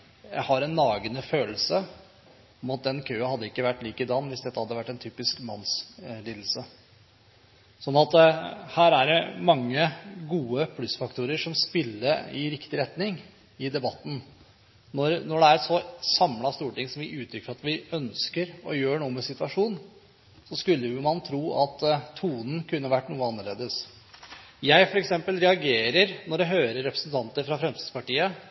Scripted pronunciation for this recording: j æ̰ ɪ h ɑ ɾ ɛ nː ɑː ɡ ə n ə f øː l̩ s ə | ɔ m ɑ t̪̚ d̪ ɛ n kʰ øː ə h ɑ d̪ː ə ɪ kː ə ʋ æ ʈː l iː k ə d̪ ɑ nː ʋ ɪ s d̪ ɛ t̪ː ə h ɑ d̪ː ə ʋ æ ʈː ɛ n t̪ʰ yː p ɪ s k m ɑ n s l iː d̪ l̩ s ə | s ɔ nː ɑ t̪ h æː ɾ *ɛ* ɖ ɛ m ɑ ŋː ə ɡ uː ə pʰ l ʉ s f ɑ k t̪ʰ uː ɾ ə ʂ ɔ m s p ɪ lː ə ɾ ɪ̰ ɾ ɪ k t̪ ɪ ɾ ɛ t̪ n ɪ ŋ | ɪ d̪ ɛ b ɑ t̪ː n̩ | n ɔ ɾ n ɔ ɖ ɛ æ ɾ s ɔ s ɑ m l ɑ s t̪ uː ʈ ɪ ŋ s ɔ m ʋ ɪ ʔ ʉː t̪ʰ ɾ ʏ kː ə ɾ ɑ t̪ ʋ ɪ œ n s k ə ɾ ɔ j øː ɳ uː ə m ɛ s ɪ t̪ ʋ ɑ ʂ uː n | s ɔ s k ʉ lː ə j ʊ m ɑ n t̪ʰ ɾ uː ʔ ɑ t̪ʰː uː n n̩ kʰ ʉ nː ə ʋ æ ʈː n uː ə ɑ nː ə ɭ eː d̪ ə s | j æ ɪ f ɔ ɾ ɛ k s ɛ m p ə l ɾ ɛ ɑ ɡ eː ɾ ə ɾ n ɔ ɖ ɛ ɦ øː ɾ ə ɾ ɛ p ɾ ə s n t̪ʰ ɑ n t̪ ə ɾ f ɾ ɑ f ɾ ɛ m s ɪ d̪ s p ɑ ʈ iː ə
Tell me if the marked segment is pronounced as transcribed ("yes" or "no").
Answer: no